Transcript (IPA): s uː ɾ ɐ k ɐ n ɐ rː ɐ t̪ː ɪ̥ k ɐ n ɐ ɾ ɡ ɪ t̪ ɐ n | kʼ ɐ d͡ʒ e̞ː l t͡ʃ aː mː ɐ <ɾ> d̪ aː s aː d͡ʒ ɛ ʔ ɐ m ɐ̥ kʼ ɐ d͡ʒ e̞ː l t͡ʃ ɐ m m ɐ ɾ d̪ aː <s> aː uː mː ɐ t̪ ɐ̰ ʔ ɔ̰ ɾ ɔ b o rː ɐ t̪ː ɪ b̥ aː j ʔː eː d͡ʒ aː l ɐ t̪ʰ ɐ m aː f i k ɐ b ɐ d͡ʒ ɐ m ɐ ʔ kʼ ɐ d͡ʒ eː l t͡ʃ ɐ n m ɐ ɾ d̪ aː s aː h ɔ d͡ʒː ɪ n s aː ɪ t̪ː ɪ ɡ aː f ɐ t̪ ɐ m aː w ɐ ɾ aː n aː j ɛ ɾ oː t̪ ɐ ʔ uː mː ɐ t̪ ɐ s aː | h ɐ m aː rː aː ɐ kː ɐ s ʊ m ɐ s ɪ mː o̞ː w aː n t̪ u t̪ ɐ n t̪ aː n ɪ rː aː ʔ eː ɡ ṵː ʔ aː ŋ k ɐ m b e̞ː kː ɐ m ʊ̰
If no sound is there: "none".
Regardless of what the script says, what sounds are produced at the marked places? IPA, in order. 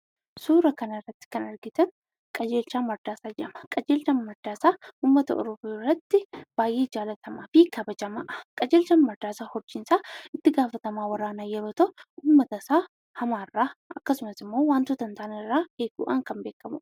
ɾ, s

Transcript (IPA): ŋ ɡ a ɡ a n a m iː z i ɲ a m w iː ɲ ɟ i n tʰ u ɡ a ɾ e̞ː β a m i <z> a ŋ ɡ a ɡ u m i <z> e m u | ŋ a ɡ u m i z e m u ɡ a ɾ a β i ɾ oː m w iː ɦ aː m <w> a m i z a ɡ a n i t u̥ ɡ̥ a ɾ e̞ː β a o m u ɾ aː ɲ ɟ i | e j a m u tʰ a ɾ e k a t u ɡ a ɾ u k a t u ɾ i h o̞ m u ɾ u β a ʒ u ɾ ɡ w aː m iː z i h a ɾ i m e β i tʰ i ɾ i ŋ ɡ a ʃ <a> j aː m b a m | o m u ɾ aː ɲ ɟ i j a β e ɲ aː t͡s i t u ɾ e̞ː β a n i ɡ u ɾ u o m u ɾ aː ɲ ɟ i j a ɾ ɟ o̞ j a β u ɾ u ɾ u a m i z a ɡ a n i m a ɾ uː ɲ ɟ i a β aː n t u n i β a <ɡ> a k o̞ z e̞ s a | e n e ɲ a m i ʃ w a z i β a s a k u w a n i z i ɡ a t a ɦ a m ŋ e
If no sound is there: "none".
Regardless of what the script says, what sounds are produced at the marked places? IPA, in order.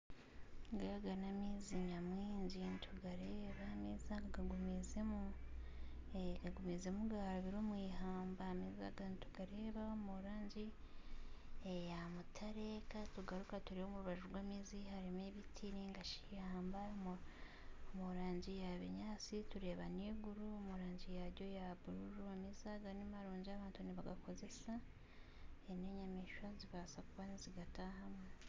z, z, b, i, ɡ

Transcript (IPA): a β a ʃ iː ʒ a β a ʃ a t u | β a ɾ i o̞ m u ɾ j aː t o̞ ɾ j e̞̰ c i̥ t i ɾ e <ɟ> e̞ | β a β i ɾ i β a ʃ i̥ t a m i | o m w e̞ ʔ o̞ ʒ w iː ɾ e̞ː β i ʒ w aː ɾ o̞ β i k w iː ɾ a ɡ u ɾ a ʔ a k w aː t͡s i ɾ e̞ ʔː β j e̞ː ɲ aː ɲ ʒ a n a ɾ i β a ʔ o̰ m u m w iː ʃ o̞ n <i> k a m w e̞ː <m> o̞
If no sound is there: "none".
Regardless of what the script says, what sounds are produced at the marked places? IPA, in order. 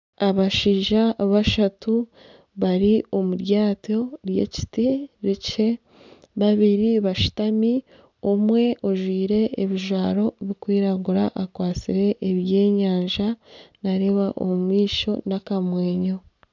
c, a, ɲ

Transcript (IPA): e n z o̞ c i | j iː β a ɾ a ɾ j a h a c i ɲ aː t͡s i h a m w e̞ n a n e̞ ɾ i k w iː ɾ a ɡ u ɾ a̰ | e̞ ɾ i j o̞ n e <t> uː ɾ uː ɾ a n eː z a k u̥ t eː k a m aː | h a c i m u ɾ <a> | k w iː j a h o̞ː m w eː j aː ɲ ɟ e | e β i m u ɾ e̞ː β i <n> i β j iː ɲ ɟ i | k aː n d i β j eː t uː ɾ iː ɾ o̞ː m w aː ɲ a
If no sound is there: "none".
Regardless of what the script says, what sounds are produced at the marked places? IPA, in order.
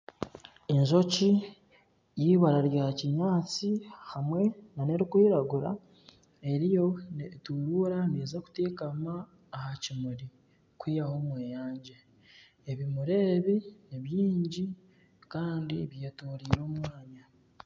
t, i, n

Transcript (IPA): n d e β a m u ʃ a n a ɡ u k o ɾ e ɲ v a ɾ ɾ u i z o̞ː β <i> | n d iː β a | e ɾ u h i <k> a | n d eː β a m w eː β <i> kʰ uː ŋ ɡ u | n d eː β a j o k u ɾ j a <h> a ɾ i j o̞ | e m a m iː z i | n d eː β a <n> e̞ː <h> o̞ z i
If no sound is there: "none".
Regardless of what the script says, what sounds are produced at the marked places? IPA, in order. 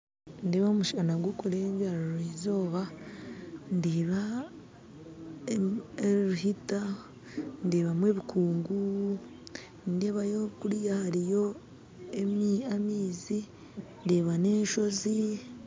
a, t, i, h, n, ʃ

